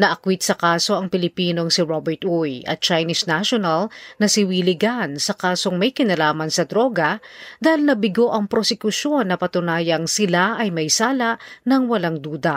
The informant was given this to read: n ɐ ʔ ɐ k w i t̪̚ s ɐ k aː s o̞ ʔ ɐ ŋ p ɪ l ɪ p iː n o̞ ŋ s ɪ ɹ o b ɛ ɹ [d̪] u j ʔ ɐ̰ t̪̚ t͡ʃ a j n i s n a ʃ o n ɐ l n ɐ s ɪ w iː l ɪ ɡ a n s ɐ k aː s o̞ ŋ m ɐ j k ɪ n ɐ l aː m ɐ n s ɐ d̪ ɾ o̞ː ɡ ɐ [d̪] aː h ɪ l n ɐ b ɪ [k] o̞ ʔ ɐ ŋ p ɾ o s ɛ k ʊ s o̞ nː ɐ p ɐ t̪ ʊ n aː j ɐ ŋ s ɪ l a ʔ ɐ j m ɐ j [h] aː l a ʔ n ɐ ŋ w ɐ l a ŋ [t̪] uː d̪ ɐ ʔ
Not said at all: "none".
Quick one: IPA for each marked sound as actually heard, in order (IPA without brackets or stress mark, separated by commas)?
t̪, d̪, ɡ, s, d̪